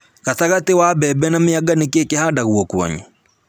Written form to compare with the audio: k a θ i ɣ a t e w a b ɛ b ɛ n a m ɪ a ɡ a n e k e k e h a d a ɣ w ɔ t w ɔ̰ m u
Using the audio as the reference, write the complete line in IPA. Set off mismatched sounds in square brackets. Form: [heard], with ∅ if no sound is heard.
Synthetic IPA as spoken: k a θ [a] ɣ a t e w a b ɛ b ɛ n a m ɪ a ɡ a n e k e k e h a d a ɣ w ɔ [k] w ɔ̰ [ɲ] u

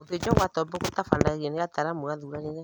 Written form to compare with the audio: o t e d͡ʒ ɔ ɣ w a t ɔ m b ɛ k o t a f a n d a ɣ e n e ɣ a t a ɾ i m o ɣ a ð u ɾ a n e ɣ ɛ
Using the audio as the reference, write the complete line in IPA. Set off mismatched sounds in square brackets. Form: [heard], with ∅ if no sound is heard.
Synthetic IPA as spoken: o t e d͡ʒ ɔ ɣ w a t ɔ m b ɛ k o t a f a n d a ɣ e n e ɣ a t a ɾ [a] m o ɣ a ð u ɾ a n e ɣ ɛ

